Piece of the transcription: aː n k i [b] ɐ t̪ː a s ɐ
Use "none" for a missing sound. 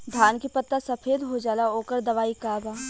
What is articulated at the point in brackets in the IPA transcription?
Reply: p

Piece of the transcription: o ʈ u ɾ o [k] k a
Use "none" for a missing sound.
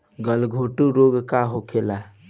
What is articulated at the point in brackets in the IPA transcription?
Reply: ɡ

